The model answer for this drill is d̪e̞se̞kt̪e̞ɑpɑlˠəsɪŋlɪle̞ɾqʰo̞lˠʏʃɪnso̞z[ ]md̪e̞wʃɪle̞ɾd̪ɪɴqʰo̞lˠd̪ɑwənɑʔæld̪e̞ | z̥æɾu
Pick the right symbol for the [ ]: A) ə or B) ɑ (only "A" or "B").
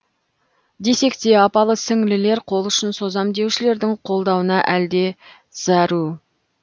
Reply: B